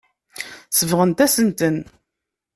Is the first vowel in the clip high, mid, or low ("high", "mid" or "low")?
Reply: mid